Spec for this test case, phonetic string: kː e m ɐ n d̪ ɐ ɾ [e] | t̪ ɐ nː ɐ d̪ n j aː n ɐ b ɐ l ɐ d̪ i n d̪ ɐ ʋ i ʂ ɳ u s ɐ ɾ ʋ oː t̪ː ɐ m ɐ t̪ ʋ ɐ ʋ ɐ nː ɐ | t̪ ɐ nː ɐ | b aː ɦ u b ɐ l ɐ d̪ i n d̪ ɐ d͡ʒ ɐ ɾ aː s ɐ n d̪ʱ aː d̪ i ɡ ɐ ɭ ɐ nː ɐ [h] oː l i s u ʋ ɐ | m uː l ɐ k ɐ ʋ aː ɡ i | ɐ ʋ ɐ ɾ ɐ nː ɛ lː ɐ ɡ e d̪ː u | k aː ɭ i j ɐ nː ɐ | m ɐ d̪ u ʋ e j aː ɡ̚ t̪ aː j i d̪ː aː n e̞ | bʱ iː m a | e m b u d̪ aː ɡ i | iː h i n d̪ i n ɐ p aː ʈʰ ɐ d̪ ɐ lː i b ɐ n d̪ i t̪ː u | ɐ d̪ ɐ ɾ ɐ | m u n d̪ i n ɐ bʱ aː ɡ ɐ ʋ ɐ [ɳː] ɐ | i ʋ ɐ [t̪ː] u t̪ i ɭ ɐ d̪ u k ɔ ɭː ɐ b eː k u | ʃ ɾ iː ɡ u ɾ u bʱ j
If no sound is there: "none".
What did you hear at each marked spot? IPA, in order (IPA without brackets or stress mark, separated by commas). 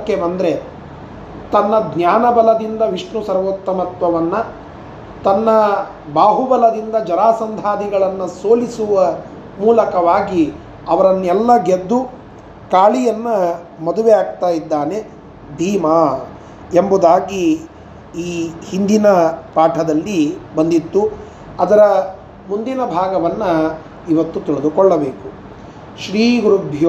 e, s, nː, t̪ː